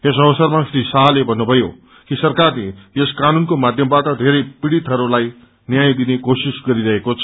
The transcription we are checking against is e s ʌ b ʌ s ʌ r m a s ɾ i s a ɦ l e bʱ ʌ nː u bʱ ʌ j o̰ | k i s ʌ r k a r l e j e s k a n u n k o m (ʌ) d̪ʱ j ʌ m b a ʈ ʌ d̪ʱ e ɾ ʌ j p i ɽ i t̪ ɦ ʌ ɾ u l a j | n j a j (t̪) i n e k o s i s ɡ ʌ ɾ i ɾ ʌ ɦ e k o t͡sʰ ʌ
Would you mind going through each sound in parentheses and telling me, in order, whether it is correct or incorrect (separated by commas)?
incorrect, incorrect